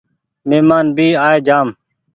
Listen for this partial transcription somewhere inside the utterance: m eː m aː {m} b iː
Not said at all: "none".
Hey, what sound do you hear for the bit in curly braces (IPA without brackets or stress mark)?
n